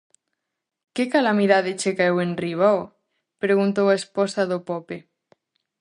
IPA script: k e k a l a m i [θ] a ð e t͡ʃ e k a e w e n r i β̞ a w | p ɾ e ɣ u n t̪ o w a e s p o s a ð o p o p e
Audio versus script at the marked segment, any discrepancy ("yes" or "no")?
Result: yes